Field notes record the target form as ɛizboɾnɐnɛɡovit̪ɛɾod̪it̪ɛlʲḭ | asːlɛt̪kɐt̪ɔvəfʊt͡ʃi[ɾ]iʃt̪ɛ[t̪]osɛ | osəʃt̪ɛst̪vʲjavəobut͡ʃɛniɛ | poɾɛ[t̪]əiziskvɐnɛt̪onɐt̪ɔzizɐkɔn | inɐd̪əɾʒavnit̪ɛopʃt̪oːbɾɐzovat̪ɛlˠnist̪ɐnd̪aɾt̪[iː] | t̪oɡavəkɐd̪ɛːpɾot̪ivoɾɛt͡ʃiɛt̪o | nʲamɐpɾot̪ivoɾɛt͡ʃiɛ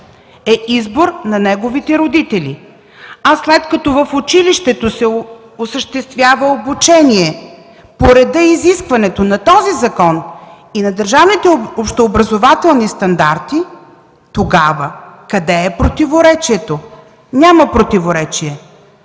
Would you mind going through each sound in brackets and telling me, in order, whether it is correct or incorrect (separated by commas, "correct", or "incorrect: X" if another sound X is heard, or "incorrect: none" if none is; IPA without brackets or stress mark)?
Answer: incorrect: l, correct, incorrect: d̪, incorrect: i